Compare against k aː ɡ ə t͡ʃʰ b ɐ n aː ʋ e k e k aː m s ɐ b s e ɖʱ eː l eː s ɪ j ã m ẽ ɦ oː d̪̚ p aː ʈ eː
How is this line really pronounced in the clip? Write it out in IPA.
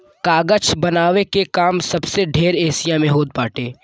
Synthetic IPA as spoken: k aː ɡ ə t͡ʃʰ b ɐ n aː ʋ e k e k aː m s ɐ b s e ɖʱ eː ɾ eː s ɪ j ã m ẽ ɦ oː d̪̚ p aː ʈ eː